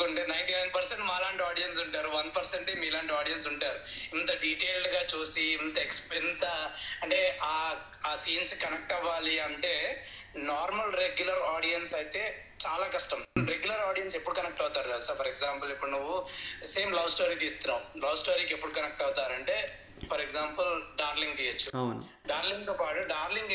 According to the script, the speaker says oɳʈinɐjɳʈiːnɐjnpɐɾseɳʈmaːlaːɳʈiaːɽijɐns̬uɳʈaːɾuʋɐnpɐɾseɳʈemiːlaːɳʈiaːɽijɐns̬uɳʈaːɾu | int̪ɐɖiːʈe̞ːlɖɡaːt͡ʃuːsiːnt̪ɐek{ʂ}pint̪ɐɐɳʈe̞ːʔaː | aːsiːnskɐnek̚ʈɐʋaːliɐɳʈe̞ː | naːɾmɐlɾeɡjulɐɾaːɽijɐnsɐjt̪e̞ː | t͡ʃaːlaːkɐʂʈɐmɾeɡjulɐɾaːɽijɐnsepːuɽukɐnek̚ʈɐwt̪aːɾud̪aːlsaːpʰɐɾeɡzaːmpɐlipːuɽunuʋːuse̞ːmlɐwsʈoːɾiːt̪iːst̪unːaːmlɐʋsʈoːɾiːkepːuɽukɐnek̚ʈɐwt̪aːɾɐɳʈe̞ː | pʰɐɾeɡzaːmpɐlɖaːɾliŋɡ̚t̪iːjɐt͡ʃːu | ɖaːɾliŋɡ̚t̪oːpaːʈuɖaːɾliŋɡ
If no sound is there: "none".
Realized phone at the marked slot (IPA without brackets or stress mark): s